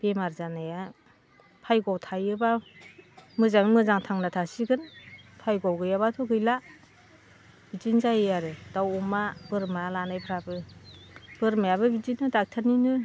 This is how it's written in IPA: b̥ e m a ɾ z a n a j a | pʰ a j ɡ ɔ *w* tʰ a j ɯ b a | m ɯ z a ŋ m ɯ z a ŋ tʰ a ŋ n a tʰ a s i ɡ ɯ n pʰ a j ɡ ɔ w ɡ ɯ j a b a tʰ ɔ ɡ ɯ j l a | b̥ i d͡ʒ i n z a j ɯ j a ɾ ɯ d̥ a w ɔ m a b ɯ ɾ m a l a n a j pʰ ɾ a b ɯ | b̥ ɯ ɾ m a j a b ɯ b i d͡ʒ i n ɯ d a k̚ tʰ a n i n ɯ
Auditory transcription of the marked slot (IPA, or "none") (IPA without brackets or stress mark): w